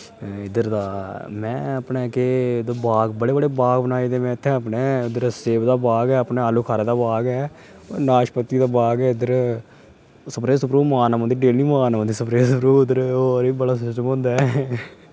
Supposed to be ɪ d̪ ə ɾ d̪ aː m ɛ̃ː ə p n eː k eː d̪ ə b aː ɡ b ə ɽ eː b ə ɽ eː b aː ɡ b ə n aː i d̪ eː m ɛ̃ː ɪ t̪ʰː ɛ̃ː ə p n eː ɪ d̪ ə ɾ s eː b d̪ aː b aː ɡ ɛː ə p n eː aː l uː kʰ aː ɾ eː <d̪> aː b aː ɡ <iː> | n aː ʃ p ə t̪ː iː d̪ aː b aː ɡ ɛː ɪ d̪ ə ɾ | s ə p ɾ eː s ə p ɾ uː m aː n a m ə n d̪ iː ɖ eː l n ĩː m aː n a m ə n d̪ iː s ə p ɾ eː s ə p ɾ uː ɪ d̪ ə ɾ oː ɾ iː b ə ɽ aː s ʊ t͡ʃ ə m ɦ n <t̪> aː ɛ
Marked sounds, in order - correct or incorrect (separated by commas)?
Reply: correct, incorrect, incorrect